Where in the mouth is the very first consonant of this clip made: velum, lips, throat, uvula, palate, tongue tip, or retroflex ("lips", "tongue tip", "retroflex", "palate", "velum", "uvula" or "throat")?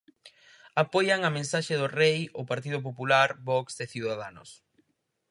lips